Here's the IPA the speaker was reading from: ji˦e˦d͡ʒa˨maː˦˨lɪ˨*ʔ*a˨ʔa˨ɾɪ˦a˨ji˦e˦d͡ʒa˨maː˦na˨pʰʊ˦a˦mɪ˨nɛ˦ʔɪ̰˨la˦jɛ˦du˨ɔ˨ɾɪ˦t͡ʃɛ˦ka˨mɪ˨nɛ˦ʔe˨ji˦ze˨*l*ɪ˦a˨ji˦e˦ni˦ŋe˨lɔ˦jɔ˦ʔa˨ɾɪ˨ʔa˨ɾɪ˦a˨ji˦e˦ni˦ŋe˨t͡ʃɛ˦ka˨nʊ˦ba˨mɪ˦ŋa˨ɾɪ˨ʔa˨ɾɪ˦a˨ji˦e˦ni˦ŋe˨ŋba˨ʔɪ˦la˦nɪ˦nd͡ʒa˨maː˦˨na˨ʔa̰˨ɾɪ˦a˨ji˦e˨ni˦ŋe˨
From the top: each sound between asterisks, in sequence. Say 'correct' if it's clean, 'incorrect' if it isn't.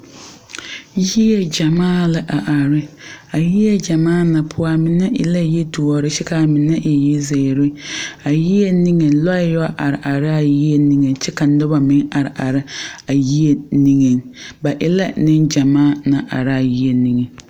correct, incorrect: ɾ

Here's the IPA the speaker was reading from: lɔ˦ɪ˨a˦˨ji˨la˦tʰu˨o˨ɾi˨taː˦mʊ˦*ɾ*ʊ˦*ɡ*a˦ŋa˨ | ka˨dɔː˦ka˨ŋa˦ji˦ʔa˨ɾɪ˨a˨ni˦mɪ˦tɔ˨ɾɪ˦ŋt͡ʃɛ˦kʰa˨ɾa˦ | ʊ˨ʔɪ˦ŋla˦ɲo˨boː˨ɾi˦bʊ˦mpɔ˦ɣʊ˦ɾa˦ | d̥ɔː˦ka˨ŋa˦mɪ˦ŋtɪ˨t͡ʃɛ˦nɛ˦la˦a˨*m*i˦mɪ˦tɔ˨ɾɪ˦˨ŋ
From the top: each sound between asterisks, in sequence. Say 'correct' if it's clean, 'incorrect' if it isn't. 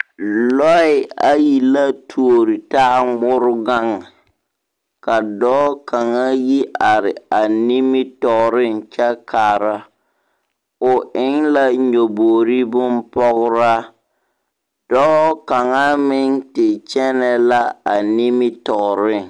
correct, correct, incorrect: n

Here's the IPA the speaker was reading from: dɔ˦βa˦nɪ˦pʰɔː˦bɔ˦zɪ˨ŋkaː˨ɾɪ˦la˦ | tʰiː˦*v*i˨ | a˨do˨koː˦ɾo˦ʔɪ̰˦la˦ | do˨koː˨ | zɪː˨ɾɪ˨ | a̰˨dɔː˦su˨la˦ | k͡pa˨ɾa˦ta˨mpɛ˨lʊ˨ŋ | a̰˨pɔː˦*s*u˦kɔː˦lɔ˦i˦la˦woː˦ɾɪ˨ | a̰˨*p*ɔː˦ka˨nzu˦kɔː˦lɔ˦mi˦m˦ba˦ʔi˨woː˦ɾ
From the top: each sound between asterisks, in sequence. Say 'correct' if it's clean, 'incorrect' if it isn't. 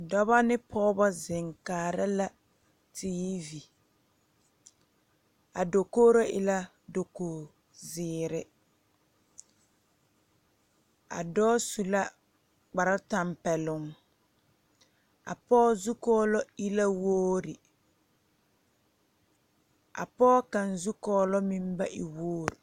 correct, incorrect: z, correct

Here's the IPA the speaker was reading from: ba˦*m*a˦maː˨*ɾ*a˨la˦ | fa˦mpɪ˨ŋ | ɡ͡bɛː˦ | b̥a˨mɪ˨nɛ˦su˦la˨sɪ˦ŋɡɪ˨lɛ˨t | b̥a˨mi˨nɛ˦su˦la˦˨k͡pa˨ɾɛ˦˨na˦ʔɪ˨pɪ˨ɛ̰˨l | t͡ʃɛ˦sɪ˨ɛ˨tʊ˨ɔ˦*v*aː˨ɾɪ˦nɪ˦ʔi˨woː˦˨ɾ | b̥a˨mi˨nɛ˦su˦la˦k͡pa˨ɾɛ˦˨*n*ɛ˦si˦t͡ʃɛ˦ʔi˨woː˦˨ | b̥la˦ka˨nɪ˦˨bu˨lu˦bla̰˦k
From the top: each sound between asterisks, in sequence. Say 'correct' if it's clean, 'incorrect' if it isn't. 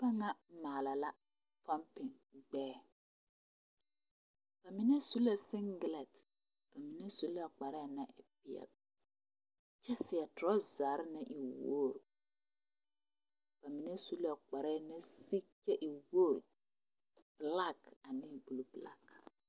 incorrect: ŋ, incorrect: l, incorrect: z, correct

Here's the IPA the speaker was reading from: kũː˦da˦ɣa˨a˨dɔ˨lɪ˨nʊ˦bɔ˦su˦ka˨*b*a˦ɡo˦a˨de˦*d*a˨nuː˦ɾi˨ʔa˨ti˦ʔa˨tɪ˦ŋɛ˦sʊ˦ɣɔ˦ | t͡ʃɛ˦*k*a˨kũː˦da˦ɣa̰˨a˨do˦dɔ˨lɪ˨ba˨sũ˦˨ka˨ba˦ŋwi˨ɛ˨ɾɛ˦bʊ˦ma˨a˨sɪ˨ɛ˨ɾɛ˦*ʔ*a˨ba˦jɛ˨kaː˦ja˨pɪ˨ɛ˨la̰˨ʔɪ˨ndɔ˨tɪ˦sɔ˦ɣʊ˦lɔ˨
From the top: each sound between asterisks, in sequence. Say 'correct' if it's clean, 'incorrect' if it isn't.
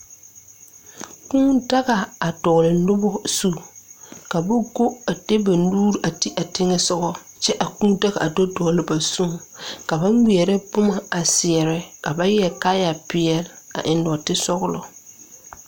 correct, incorrect: b, incorrect: ʔ, incorrect: k

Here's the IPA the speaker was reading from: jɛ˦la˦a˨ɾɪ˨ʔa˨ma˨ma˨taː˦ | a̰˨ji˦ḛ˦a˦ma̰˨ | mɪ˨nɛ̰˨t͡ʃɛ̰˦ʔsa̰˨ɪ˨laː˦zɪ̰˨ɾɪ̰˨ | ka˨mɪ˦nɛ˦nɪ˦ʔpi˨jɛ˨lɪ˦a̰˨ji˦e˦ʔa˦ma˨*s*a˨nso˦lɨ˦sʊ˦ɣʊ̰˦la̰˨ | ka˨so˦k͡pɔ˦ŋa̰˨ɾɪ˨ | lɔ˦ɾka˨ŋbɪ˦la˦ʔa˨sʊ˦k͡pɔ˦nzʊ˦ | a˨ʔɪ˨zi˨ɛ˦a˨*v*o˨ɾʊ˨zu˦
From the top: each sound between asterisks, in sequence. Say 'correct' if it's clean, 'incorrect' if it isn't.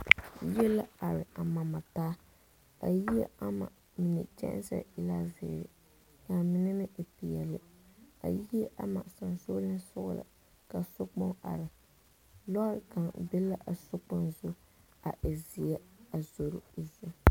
correct, incorrect: z

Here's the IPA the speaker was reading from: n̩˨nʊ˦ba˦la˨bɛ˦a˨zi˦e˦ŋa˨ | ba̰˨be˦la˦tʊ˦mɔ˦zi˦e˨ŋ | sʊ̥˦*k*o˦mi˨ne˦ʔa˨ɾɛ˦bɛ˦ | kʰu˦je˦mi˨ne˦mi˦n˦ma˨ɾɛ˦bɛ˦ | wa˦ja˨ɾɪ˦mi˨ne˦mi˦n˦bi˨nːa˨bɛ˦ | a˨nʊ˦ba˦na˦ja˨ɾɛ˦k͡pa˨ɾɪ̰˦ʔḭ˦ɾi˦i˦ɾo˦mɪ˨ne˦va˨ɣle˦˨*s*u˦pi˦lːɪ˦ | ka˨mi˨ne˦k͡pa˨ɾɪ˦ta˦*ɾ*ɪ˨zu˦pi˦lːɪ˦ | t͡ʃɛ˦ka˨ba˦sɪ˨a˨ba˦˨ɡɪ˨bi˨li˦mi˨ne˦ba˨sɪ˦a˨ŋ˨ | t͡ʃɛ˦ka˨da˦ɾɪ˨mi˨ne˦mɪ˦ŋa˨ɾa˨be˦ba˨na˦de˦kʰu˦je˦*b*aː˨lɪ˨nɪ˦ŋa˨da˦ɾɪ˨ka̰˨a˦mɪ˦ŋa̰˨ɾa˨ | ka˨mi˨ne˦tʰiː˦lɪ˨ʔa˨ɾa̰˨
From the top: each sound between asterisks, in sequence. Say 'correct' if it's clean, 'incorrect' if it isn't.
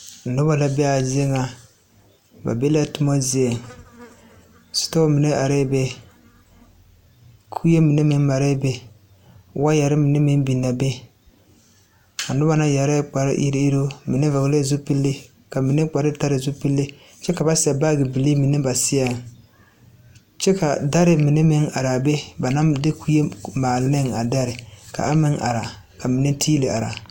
incorrect: t, incorrect: z, correct, incorrect: m

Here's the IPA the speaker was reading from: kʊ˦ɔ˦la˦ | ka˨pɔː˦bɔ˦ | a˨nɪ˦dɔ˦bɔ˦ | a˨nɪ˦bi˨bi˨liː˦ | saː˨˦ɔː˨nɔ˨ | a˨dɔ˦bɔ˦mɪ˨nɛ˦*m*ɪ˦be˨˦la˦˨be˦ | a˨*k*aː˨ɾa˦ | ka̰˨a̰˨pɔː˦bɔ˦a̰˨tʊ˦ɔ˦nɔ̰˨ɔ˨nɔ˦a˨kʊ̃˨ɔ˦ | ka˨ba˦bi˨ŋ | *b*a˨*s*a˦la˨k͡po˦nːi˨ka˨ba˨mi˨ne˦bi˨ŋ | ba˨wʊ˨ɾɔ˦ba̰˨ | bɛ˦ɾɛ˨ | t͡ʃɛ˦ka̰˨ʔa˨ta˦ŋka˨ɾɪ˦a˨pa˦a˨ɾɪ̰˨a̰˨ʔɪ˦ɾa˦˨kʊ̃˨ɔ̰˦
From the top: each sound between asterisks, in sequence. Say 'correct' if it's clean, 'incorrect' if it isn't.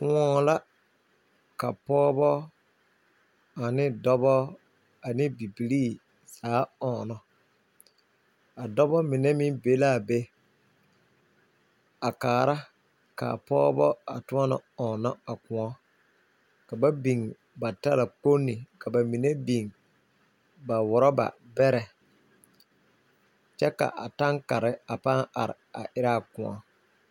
correct, correct, correct, incorrect: t

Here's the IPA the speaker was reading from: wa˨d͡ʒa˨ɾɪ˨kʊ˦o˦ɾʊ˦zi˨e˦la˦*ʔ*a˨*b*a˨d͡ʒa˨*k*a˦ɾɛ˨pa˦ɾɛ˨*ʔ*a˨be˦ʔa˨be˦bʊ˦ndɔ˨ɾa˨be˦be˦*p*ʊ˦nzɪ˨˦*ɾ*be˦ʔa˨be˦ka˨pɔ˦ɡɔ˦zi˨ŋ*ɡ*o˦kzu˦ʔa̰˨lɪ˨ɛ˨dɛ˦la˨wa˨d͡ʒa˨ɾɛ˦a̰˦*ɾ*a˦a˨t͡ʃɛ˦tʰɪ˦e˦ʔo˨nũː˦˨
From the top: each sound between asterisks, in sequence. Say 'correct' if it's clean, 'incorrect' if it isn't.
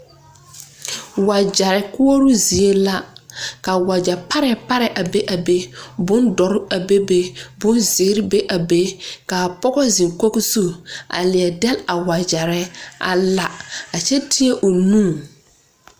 incorrect: k, incorrect: w, incorrect: p, correct, incorrect: b, correct, incorrect: k, incorrect: l

